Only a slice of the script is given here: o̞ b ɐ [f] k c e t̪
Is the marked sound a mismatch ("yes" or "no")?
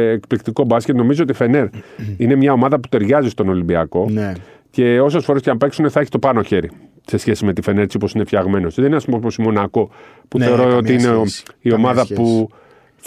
yes